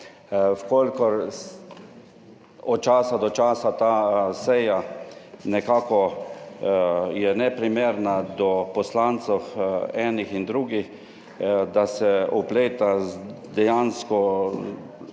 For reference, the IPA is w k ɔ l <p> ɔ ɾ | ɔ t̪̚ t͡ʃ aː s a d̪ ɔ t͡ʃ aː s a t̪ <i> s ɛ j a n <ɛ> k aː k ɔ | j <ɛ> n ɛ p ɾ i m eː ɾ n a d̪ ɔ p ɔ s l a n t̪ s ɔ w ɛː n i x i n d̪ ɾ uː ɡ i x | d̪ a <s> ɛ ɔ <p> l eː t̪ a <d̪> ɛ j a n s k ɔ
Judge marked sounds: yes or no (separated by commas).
no, no, yes, yes, yes, yes, yes